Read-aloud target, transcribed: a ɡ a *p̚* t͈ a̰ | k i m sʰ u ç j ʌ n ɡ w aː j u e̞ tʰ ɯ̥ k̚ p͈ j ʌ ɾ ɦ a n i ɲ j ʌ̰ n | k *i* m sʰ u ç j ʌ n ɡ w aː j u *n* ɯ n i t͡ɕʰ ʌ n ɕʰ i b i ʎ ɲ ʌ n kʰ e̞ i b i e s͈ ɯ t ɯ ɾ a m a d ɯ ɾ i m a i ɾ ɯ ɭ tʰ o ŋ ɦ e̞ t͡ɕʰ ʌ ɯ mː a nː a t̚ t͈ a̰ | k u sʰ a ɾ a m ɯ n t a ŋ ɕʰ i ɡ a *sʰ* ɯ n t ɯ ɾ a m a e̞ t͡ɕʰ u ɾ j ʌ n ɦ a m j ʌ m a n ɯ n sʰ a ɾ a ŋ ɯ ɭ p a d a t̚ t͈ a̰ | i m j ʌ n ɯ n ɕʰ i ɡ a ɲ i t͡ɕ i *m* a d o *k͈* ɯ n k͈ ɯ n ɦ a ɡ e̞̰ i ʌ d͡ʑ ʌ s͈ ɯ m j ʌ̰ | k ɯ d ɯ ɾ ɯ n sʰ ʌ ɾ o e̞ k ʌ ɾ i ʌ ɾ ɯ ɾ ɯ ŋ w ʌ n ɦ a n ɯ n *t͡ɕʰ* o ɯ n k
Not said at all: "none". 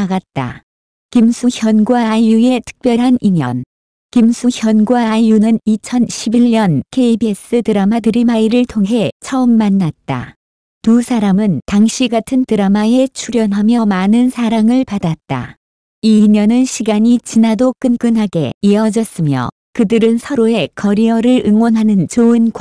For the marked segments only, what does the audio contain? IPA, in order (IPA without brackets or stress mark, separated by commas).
t̚, i, n, tʰ, n, k͈, t͡ɕ